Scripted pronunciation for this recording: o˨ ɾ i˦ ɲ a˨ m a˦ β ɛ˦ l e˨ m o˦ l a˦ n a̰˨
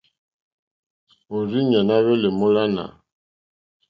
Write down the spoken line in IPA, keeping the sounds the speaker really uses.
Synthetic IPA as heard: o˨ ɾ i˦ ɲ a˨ n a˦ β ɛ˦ l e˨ m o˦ l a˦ n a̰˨